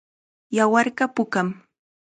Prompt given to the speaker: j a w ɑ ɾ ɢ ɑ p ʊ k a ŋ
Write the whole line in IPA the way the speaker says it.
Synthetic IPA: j a w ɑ ɾ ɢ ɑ p ʊ k a m